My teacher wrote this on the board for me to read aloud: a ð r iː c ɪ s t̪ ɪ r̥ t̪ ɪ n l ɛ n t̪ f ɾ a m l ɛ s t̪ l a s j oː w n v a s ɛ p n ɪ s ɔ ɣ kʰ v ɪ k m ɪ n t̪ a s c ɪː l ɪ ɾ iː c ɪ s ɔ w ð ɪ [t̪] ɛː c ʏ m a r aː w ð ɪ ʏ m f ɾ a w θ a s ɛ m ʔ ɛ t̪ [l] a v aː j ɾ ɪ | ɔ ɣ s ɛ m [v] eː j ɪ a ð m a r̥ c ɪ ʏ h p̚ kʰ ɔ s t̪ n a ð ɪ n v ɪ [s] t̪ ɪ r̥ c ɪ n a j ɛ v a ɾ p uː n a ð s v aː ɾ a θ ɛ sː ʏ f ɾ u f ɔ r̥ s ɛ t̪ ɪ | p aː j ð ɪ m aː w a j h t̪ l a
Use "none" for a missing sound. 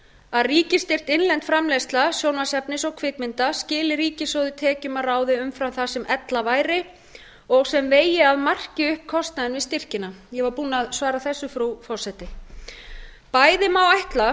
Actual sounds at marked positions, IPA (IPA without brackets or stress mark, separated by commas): t̪ʰ, l, v, s